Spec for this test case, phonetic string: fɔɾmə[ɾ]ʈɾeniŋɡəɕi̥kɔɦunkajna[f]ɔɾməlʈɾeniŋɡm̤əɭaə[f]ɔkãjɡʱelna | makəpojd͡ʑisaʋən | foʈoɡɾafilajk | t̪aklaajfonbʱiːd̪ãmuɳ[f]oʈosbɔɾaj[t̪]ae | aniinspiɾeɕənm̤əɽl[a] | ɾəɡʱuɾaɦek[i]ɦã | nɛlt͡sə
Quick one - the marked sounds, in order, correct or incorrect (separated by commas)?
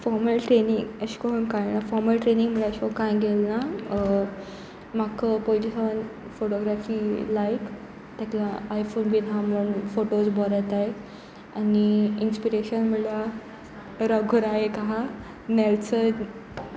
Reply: incorrect, correct, incorrect, correct, correct, correct, incorrect